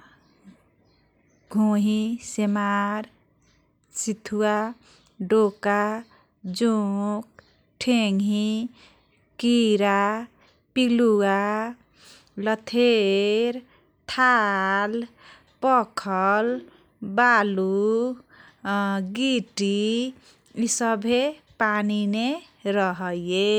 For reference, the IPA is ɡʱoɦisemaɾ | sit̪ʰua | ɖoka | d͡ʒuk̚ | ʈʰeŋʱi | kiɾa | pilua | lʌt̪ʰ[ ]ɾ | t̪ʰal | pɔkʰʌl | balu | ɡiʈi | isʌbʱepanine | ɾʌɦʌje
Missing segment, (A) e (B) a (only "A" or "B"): A